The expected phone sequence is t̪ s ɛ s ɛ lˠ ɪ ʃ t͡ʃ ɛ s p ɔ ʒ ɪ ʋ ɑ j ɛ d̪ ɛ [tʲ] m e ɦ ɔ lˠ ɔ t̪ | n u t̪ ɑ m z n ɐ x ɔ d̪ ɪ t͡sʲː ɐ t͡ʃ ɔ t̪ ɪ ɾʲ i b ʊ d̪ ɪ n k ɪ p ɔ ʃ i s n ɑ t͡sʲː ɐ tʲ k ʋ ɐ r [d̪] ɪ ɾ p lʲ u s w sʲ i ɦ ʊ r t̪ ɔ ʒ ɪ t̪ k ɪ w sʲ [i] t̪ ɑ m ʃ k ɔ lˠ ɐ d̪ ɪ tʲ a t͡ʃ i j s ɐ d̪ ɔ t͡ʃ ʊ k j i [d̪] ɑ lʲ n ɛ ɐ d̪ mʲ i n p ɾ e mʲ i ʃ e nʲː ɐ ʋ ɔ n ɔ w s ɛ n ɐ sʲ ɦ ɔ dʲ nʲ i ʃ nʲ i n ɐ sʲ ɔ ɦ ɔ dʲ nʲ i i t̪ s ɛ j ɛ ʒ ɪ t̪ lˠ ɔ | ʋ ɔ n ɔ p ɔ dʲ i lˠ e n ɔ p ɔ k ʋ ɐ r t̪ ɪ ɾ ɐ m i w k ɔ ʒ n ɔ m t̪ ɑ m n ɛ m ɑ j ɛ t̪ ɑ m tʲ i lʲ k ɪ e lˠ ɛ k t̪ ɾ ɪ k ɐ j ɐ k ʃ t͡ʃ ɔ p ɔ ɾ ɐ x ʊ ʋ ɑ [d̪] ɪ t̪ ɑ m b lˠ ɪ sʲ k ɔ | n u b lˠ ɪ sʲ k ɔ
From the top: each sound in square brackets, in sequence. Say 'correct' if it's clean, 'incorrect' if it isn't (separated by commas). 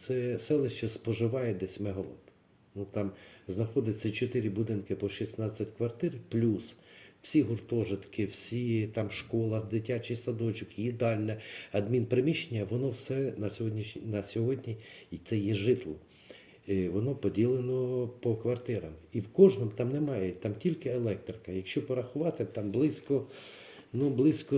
incorrect, incorrect, correct, correct, incorrect